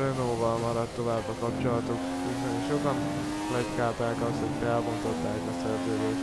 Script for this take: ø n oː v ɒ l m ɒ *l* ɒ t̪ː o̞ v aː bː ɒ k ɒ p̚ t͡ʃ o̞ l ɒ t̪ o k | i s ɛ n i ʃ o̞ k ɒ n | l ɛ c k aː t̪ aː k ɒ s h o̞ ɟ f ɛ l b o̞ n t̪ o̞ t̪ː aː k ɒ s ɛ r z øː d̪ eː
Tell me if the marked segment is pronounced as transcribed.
no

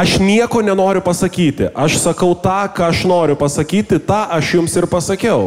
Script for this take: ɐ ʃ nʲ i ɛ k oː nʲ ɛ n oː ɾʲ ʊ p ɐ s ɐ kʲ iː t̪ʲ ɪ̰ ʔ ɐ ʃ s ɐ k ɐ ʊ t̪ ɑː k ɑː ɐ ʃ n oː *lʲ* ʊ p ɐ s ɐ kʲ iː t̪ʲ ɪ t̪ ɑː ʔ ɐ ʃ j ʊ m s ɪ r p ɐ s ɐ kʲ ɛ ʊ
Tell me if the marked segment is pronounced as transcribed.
no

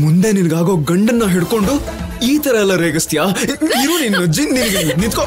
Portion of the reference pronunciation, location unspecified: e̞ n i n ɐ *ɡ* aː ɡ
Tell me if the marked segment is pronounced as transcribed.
yes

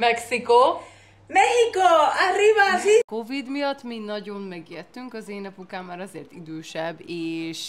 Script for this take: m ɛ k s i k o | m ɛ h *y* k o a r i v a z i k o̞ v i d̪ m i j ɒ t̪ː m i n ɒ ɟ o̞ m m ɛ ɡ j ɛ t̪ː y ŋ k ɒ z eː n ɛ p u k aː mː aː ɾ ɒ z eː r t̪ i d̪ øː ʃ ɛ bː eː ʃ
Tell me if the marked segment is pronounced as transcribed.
no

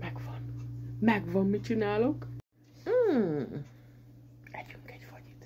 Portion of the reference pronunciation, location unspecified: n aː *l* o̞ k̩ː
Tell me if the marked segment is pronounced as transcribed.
yes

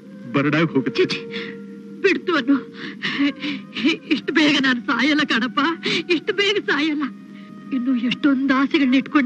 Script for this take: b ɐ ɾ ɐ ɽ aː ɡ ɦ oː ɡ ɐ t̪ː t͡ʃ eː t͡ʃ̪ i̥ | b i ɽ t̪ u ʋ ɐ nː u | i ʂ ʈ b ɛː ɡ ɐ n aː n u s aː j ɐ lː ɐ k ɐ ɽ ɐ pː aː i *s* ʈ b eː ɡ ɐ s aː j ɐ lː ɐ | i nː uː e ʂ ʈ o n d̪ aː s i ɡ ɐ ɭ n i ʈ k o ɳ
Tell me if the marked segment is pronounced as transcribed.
no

